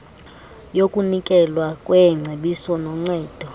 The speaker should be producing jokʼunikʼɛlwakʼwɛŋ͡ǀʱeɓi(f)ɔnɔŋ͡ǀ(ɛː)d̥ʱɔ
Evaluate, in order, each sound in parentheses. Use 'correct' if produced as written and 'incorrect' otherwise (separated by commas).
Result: incorrect, correct